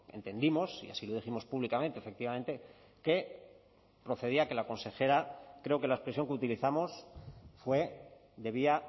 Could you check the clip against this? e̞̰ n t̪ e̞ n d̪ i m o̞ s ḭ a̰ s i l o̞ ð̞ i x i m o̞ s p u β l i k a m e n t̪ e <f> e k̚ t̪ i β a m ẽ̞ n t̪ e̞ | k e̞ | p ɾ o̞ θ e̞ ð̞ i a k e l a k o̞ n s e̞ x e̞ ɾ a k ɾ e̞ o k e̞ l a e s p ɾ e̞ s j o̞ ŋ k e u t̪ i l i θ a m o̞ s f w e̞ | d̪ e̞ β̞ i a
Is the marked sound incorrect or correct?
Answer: correct